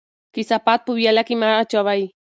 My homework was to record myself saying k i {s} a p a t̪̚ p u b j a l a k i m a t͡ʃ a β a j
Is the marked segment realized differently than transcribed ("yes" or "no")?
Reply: no